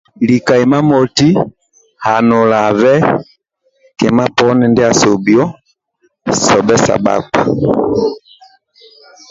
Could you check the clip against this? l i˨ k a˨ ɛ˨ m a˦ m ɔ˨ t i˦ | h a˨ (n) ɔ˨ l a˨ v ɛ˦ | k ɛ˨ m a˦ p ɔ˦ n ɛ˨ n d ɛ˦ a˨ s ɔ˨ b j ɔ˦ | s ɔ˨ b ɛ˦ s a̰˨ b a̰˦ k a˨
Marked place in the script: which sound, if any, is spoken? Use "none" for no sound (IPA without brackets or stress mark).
n